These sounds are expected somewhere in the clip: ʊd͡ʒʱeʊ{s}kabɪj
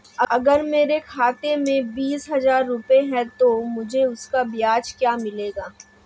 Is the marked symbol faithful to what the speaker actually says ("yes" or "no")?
yes